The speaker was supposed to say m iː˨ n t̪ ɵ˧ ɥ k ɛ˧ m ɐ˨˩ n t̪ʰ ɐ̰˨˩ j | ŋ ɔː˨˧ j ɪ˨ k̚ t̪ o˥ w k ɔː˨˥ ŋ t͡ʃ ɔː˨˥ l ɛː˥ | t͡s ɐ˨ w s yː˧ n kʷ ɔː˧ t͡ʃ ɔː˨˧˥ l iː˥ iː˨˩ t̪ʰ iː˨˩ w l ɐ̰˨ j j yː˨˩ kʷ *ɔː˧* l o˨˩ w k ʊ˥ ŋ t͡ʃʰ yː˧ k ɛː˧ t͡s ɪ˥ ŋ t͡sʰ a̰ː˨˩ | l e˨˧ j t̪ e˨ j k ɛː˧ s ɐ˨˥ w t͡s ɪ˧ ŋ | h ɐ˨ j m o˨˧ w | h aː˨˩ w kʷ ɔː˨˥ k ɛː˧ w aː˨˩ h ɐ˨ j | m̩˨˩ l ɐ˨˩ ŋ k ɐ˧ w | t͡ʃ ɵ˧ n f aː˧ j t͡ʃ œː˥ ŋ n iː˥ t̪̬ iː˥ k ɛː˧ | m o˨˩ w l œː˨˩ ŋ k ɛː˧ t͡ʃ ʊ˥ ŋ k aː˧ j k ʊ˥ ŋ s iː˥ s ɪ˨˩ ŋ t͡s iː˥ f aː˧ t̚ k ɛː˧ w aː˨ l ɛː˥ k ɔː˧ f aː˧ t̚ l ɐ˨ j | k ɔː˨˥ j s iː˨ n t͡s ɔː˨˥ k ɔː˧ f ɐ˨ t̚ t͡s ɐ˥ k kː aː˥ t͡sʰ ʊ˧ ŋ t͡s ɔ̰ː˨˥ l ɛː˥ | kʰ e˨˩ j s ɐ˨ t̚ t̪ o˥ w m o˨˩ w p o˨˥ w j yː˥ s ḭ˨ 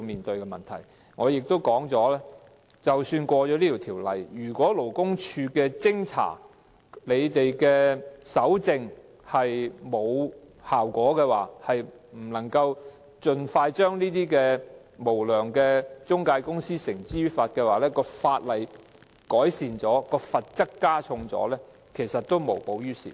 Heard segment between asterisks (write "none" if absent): ɔː˨˥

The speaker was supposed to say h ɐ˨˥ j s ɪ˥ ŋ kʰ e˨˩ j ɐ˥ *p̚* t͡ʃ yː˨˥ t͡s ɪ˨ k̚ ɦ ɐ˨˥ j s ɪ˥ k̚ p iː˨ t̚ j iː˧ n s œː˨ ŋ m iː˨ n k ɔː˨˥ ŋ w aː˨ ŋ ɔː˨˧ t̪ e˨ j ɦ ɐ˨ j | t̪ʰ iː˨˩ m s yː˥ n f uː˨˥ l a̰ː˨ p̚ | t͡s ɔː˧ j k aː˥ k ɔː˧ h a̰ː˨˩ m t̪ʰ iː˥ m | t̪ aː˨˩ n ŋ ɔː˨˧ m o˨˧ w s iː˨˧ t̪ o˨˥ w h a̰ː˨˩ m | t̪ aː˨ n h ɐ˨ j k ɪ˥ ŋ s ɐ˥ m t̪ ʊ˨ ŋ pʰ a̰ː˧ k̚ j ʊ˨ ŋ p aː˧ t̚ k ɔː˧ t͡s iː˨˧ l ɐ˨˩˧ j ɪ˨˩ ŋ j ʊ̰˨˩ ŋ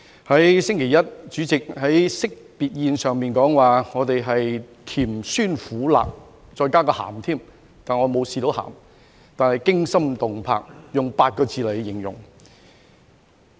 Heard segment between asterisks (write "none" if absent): t̚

